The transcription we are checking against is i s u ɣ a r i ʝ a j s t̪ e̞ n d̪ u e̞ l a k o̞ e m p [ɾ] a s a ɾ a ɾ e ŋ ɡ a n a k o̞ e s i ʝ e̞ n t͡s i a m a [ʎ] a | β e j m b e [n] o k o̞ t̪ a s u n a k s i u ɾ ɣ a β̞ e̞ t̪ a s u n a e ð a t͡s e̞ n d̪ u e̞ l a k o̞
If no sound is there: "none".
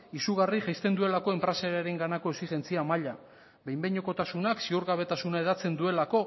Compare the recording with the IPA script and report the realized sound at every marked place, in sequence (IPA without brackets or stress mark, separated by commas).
ɾ, ʎ, ɲ